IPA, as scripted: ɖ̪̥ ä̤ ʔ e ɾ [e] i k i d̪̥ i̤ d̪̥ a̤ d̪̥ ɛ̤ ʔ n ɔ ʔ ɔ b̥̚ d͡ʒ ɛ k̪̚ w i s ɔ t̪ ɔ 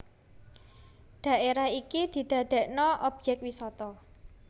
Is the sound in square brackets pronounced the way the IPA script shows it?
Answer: no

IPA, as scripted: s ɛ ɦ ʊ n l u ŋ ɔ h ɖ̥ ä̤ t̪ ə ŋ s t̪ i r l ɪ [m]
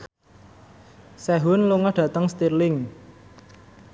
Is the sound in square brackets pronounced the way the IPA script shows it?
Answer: no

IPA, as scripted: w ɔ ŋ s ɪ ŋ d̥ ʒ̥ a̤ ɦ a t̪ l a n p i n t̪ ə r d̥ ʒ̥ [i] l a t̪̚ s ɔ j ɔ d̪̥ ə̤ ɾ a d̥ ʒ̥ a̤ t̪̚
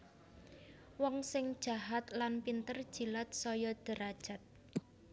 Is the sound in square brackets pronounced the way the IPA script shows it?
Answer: yes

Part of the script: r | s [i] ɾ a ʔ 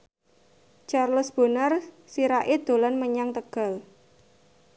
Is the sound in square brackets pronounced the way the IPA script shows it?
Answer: yes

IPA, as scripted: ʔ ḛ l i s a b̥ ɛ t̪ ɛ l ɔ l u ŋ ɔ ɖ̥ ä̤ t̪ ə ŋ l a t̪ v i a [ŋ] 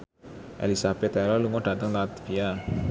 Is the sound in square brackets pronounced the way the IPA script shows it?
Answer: no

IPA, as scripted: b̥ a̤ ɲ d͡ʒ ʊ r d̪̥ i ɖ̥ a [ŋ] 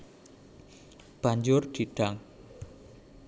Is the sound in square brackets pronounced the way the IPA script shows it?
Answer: yes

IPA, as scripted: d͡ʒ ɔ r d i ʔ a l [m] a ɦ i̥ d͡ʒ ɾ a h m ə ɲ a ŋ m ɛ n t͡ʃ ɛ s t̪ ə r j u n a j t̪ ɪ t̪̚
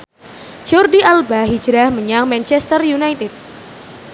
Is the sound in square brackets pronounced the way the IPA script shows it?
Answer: no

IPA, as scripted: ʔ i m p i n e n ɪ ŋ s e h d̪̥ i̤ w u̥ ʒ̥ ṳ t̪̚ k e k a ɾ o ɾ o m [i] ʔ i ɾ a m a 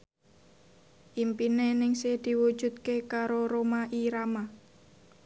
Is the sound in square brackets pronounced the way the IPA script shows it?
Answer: no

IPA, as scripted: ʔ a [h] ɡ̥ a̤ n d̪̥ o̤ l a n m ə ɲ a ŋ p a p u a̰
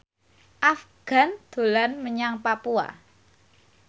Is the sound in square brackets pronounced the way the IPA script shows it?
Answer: no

